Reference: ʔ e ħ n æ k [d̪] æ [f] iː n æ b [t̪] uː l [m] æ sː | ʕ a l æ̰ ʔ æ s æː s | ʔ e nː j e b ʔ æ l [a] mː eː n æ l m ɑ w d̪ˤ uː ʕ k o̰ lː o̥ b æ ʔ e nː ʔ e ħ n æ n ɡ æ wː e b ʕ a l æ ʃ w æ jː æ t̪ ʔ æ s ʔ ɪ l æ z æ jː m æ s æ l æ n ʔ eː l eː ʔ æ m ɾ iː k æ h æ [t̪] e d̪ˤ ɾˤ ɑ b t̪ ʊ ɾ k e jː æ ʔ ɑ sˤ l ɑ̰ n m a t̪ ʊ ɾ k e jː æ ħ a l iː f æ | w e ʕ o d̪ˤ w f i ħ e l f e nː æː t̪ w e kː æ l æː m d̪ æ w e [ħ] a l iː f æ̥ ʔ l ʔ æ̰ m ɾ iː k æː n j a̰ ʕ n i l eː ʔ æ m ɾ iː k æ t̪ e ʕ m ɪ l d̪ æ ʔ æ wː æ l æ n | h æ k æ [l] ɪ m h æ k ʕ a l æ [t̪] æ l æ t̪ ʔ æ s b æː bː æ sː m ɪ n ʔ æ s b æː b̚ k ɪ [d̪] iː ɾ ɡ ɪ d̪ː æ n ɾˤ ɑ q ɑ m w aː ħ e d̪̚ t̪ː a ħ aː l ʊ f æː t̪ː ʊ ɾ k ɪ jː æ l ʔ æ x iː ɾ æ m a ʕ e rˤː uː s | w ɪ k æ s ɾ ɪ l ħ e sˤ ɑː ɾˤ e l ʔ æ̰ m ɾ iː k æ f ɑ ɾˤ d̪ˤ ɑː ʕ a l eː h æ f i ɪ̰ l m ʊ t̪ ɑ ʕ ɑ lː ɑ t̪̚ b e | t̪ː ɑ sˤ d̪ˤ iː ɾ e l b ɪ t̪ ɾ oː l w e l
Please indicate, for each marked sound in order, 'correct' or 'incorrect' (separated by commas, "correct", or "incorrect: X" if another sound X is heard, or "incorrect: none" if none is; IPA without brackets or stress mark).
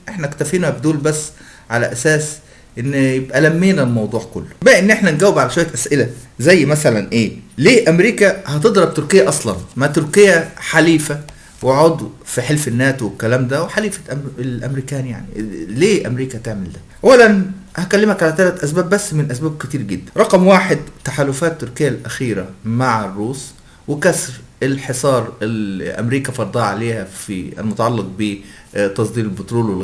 incorrect: t̪, correct, incorrect: d̪, incorrect: b, incorrect: æ, correct, correct, incorrect: lː, correct, incorrect: t̪